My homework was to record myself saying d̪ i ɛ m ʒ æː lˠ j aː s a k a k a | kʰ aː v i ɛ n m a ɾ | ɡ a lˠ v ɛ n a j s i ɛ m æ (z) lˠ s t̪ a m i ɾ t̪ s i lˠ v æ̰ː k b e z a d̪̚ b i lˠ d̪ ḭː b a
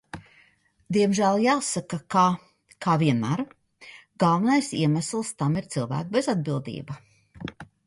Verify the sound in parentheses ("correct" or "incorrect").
incorrect